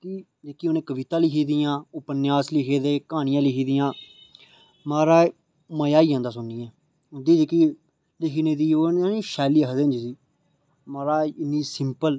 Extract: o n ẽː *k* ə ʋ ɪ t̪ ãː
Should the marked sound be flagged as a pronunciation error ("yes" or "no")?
no